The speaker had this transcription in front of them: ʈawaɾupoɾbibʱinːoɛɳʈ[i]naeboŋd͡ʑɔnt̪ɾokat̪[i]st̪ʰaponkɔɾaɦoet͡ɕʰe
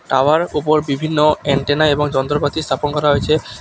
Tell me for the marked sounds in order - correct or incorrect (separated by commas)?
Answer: incorrect, correct